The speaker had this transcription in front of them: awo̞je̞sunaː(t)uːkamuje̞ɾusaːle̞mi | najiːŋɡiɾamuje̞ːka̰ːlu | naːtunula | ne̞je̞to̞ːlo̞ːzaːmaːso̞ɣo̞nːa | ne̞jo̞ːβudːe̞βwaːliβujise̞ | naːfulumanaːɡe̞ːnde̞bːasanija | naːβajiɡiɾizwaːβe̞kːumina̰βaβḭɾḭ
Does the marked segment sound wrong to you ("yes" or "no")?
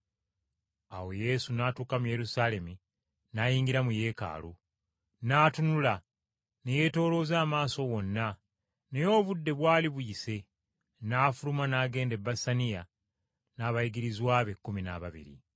no